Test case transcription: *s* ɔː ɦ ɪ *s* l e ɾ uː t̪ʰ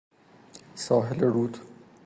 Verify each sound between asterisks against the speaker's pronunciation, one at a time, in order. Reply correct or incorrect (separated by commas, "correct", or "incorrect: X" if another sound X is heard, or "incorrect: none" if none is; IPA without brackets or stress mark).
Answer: correct, incorrect: none